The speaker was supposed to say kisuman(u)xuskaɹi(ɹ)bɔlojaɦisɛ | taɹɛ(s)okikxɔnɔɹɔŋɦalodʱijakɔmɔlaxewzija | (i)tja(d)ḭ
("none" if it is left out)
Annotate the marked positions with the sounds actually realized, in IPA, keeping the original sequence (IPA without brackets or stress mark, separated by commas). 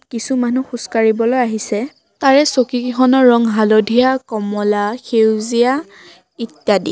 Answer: u, none, s, i, d